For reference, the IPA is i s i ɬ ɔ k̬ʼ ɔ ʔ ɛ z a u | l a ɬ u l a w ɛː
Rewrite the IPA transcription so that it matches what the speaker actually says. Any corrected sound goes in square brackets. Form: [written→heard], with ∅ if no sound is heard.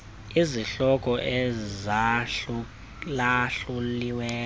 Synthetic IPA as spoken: i [s→z] i ɬ ɔ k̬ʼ ɔ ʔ ɛ z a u | l a ɬ u l [a→i] w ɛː